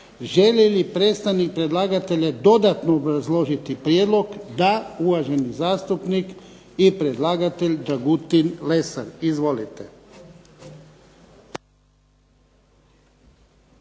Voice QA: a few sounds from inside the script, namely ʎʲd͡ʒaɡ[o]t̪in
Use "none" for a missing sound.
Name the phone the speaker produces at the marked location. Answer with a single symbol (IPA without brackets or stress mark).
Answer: u